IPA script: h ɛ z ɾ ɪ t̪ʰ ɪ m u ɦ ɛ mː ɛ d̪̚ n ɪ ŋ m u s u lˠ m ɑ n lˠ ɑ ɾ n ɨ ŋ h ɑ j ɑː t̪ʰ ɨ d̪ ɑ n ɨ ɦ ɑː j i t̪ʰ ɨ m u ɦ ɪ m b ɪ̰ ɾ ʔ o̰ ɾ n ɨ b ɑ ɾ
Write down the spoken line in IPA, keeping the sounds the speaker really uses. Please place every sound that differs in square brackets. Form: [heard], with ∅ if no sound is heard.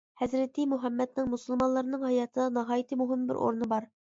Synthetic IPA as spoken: h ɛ z ɾ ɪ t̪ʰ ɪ m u ɦ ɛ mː ɛ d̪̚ n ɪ ŋ m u s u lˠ m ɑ n lˠ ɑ ɾ n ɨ ŋ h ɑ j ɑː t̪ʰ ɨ d̪ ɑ n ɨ ɦ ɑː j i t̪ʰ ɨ m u ɦ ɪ m b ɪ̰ ɾ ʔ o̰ ɾ n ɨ b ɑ ɾ